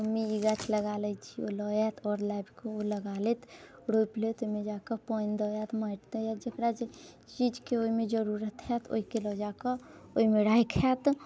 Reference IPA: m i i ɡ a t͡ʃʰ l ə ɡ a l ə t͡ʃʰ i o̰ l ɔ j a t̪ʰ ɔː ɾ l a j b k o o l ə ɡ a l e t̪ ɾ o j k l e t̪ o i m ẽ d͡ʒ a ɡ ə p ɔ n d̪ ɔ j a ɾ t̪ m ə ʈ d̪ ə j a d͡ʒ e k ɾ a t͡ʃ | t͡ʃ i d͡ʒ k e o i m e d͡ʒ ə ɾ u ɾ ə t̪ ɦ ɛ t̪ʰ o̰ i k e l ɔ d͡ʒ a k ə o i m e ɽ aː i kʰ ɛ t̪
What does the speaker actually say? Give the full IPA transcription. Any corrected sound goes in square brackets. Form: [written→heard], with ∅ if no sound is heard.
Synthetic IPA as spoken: m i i ɡ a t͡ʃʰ l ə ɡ a l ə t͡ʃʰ i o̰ l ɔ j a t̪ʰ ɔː ɾ l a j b k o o l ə ɡ a l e t̪ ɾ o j [k→p] l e t̪ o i m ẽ d͡ʒ a [ɡ→k] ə p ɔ n d̪ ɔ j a [ɾ→∅] t̪ m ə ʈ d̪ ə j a d͡ʒ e k ɾ a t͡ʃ | t͡ʃ i d͡ʒ k e o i m e d͡ʒ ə ɾ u ɾ ə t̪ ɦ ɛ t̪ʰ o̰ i k e l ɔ d͡ʒ a k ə o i m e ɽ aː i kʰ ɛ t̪